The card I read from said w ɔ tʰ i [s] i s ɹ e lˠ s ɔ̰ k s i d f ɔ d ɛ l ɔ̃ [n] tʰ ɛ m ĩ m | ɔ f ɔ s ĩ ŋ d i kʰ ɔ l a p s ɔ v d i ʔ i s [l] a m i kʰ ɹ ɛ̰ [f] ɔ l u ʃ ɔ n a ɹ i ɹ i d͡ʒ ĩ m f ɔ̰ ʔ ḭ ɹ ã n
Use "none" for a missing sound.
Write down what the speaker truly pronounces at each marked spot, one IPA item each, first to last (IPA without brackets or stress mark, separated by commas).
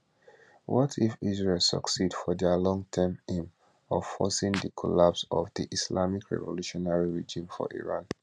f, ŋ, l, v